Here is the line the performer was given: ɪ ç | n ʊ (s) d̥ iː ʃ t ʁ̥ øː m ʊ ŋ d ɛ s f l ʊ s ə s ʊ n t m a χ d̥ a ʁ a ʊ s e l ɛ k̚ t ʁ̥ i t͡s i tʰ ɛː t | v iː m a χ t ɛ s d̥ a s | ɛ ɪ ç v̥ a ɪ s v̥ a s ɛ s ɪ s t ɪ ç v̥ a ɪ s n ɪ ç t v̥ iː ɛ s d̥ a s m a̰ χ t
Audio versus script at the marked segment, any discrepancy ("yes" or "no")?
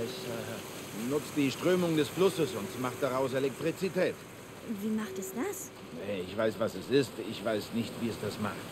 yes